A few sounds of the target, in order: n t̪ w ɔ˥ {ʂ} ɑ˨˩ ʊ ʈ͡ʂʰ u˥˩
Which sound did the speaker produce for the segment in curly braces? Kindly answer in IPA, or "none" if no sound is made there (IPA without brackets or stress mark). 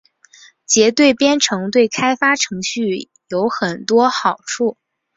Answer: x